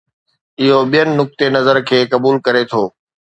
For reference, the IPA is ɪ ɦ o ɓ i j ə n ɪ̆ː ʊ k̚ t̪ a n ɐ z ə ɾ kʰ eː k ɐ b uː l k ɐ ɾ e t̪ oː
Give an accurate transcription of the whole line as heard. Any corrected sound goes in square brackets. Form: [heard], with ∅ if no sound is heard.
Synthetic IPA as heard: ɪ ɦ o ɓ i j ə n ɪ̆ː ʊ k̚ t̪ [e] n ɐ z ə ɾ kʰ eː k ɐ b uː l k ɐ ɾ e [t̪ʰ] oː